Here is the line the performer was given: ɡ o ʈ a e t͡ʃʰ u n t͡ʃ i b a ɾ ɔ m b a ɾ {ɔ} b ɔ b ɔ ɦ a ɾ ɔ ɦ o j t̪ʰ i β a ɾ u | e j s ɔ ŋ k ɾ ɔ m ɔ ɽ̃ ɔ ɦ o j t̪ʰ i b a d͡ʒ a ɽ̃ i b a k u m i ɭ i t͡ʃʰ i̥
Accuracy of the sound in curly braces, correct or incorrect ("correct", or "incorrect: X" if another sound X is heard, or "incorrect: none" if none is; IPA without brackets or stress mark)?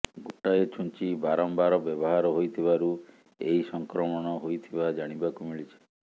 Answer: correct